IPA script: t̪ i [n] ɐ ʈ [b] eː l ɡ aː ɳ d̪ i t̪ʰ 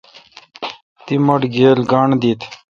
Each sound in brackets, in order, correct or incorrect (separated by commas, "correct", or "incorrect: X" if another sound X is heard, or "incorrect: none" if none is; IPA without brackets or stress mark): incorrect: m, incorrect: ɡ